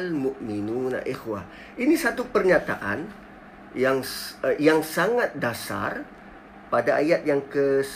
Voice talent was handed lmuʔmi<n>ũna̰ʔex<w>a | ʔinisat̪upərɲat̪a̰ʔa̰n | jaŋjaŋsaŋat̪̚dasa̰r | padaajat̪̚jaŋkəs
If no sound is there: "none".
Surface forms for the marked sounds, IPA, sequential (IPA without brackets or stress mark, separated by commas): n, w